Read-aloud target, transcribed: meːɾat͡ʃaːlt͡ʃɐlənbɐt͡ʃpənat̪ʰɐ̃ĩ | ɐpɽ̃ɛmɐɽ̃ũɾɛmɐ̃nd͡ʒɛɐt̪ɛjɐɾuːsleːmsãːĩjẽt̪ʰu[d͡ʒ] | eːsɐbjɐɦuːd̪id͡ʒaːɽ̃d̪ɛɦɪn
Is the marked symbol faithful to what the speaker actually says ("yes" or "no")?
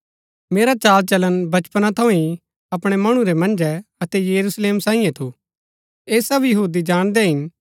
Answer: no